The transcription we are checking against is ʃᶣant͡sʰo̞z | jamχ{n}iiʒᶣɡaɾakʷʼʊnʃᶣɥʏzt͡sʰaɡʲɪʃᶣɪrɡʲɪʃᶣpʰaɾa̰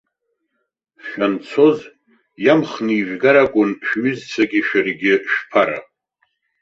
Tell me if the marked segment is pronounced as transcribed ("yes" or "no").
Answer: yes